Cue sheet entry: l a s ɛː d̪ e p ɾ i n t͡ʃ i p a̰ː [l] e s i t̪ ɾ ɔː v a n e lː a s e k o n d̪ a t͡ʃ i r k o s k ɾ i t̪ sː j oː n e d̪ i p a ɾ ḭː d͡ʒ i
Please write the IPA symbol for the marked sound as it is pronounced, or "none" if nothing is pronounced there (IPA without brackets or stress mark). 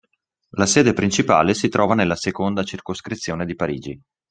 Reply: l